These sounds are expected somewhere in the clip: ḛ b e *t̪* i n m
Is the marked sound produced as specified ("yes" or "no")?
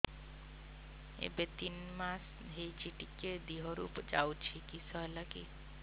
yes